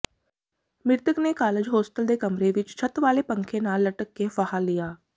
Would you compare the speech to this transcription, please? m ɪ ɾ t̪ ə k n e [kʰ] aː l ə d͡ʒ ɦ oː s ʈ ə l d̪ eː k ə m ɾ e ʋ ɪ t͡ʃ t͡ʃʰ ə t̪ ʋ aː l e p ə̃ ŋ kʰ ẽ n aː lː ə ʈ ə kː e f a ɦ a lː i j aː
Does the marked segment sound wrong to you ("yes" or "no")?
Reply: yes